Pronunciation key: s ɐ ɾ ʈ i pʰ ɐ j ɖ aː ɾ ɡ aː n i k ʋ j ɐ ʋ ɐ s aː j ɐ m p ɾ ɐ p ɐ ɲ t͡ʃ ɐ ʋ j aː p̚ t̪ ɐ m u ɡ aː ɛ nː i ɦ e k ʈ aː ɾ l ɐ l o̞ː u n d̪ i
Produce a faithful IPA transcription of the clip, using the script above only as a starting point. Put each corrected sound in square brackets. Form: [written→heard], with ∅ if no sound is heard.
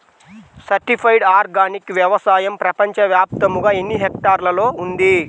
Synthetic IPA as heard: s ɐ ɾ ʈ i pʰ ɐ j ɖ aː ɾ ɡ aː n i k ʋ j ɐ ʋ ɐ s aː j ɐ m p ɾ ɐ p ɐ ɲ t͡ʃ ɐ ʋ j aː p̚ t̪ ɐ m u ɡ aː [ɛ→e] nː i ɦ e k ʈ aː ɾ l ɐ l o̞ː u n d̪ i